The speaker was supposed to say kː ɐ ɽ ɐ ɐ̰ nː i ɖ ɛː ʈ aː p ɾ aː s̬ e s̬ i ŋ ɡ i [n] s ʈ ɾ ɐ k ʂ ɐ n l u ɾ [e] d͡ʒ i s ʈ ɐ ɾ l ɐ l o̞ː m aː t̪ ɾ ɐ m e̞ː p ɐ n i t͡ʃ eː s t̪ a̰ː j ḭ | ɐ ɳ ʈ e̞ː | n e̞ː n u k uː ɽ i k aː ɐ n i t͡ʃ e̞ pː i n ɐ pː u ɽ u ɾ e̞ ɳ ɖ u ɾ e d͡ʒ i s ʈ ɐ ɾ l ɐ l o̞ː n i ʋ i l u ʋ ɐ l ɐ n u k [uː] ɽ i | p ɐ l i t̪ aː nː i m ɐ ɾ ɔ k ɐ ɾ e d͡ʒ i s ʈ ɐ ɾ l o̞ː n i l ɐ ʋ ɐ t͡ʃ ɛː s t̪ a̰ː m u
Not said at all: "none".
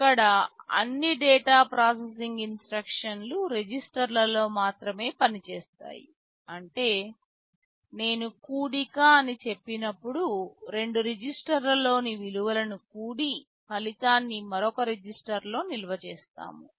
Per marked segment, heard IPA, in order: n, e, uː

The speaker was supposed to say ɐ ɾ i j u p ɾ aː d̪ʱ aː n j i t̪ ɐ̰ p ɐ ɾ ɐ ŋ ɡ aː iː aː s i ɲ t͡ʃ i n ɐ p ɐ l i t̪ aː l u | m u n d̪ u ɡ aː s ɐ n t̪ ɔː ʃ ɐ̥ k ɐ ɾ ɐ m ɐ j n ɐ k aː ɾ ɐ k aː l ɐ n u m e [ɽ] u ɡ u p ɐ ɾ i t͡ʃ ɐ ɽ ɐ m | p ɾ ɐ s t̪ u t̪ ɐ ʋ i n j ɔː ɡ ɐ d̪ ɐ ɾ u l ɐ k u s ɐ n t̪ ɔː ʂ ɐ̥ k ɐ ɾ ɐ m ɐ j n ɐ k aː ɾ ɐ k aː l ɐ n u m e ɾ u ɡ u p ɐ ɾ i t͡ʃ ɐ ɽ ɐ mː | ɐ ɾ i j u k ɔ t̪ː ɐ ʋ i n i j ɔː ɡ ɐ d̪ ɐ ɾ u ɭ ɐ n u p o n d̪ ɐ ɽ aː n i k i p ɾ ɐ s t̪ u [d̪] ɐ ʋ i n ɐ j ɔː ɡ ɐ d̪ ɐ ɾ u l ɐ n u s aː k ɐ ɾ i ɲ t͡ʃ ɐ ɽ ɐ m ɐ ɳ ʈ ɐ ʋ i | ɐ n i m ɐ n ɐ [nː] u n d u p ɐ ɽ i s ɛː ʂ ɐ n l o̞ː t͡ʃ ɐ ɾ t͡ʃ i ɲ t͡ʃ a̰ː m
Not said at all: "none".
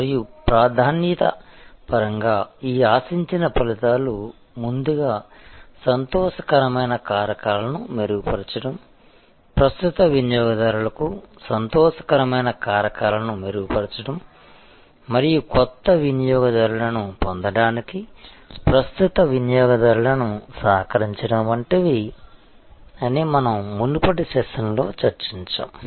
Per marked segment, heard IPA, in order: ɾ, t̪, mː

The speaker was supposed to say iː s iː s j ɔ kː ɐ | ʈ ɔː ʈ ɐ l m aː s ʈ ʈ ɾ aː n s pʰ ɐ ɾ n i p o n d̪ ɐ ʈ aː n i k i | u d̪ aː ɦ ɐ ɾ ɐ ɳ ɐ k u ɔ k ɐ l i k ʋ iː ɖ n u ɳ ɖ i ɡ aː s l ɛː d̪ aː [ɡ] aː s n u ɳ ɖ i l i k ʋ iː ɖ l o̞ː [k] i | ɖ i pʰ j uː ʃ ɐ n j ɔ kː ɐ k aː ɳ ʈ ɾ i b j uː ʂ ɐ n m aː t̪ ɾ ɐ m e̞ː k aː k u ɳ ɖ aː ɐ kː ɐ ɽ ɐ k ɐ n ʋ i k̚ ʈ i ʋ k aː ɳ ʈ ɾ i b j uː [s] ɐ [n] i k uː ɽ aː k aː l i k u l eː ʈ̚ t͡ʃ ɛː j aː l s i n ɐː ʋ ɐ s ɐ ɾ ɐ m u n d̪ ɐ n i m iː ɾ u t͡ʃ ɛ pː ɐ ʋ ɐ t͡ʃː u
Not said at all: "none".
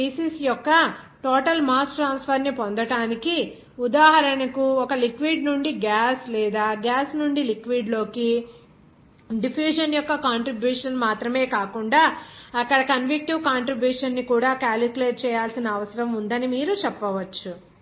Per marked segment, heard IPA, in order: ɡ, k, ʂ, nː

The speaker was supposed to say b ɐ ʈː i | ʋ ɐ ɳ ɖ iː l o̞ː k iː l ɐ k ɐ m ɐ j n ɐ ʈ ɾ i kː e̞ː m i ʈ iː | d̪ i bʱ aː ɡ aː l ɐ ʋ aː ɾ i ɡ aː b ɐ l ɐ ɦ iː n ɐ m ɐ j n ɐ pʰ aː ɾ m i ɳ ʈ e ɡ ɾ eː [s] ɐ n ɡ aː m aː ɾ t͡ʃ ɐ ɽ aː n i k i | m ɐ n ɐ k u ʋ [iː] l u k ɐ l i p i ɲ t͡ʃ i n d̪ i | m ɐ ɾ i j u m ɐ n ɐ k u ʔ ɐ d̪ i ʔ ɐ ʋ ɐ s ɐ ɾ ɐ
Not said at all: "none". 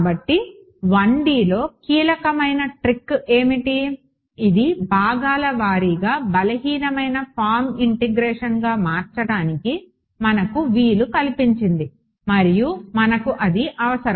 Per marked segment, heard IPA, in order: ʂ, iː

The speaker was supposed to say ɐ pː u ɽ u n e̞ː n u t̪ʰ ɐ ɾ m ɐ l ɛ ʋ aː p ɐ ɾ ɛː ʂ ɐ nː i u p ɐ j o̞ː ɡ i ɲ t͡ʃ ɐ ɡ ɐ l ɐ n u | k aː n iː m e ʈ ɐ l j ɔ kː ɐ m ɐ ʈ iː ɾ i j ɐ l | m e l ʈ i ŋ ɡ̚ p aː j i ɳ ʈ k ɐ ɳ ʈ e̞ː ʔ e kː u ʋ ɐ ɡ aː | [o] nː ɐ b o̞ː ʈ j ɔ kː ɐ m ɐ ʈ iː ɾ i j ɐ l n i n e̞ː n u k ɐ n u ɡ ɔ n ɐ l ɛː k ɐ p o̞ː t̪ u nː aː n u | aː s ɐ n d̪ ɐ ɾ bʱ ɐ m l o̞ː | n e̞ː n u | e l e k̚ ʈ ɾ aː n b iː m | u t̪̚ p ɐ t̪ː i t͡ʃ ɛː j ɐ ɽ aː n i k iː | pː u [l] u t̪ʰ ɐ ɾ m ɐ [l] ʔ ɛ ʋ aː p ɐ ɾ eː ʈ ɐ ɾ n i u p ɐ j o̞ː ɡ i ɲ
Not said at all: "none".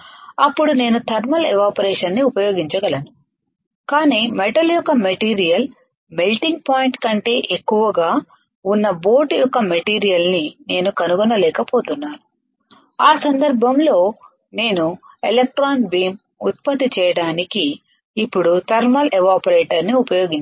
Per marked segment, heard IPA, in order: u, ɽ, l

